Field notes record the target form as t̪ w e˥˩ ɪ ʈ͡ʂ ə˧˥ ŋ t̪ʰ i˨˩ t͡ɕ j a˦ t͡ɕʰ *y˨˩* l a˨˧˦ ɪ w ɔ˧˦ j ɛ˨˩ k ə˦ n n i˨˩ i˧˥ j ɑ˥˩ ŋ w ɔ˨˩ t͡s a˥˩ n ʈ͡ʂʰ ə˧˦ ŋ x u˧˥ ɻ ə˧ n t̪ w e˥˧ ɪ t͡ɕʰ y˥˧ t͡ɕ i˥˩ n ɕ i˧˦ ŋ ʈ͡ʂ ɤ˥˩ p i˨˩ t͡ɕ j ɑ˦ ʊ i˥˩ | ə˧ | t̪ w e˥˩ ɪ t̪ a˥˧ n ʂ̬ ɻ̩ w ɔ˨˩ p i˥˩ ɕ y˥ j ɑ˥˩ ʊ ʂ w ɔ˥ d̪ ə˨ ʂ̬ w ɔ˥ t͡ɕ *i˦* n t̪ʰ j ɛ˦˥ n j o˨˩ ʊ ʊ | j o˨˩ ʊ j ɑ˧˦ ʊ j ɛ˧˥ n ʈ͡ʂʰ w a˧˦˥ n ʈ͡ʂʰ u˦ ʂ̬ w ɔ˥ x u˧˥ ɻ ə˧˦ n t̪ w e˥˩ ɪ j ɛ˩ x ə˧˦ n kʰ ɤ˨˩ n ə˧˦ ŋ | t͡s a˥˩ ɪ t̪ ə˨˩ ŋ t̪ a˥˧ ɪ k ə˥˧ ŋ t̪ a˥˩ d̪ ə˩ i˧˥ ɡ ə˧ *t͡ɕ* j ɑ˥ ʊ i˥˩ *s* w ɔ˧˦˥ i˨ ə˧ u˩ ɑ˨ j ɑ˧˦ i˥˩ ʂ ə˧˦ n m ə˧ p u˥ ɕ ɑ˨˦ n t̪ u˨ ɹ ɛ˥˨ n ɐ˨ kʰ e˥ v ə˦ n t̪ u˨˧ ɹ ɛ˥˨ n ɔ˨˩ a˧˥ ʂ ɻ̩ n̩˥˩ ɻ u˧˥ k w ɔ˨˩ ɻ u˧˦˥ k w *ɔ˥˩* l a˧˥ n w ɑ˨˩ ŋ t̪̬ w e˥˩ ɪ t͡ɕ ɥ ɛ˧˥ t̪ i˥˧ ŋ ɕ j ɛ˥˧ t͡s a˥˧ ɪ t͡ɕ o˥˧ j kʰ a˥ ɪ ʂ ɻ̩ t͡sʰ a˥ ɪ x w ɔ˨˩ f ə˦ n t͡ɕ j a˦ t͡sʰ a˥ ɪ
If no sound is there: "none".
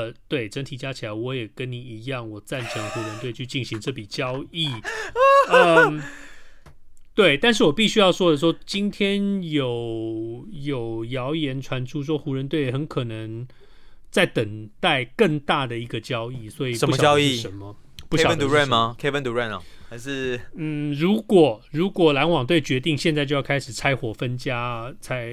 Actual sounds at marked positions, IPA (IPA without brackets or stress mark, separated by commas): i˨˩, i˦, t͡ɕ, s, ɔ˨˩